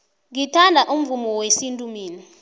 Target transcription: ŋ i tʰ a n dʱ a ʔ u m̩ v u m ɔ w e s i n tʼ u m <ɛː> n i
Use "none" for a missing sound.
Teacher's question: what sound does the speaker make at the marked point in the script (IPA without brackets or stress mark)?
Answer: iː